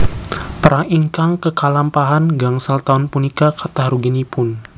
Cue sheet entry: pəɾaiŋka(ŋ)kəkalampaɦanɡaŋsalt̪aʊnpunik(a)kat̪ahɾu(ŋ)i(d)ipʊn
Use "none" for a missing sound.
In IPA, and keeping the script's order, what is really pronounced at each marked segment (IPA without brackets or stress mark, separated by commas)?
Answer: ŋ, a, ɡ, n